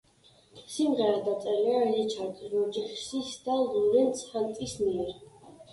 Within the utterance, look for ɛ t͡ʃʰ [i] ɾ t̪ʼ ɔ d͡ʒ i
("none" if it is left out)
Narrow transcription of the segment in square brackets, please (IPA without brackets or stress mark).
a